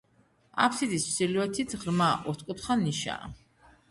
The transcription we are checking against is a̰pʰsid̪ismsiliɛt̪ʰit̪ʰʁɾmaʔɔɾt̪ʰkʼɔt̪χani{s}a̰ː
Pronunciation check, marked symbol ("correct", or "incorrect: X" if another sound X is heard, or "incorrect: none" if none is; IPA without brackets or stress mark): incorrect: ʃ